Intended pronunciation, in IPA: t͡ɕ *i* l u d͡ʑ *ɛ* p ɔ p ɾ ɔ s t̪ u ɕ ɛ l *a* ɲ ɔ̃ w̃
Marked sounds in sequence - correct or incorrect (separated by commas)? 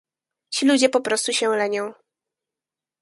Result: correct, correct, incorrect